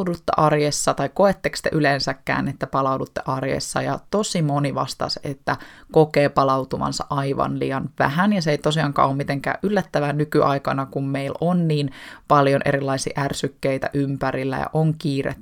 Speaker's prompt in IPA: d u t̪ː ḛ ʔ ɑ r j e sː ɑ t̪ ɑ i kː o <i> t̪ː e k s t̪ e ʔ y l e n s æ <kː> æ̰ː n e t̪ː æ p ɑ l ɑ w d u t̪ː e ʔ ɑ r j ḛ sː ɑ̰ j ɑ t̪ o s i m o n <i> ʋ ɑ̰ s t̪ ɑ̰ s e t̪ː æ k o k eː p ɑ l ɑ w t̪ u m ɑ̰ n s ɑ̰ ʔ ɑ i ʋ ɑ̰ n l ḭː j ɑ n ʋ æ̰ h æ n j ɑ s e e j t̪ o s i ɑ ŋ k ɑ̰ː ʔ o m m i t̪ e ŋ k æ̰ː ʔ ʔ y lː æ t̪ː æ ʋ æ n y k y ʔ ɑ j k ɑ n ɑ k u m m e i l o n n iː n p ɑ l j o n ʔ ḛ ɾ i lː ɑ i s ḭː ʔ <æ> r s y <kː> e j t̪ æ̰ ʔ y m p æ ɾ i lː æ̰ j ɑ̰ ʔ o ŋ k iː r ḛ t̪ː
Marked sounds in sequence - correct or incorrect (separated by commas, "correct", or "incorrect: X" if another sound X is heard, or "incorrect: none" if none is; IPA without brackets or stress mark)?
incorrect: e, correct, correct, correct, correct